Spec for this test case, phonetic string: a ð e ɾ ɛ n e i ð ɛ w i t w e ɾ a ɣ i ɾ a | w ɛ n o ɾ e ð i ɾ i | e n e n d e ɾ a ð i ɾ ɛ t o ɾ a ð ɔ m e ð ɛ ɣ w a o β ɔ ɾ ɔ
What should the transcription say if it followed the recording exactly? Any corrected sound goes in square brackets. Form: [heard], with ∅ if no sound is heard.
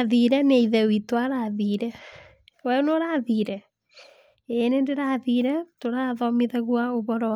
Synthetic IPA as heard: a ð [i] ɾ ɛ n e i ð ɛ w i t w [a] ɾ a [ð] i ɾ [ɛ] | w ɛ n o ɾ [a] ð i ɾ [ɛ] | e n e n d e ɾ a ð i ɾ ɛ t o ɾ a ð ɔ m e ð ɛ ɣ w a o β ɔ ɾ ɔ